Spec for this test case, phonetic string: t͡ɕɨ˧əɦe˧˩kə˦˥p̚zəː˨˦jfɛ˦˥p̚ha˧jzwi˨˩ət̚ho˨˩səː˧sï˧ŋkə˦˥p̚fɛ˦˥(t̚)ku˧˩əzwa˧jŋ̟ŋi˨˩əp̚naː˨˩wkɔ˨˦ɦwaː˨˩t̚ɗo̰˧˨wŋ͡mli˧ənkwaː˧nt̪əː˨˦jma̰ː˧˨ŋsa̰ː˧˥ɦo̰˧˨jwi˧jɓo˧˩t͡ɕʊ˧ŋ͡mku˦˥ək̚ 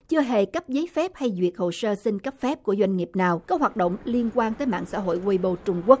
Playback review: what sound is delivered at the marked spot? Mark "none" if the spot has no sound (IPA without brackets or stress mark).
p̚